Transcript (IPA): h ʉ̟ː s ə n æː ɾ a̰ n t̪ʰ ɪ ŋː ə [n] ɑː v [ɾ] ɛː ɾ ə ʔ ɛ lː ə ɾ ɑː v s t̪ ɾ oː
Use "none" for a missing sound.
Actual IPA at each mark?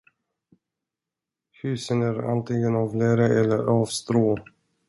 n, l

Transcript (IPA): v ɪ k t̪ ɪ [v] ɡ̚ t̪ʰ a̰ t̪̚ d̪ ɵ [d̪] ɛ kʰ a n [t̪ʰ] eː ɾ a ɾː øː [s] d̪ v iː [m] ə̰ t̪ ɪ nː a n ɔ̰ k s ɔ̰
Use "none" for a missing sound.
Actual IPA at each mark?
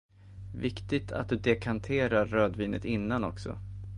none, d̪, t̪ʰ, none, n

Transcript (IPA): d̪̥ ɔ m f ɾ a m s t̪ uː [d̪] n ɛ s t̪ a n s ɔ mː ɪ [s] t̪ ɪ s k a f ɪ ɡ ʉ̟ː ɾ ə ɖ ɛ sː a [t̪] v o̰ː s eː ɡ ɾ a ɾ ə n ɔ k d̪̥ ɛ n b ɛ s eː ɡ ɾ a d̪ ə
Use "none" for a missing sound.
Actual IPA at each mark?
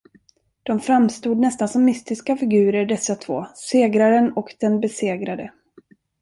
d̪, s, t̪ʰ

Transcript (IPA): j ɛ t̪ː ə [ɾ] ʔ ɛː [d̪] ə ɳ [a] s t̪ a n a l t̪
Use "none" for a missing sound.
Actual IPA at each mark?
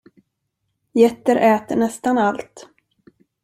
ɾ, t̪, ɛ

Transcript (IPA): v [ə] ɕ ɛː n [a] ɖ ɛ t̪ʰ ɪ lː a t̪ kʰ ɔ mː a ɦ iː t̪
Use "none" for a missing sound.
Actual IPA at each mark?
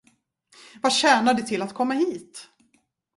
a, a

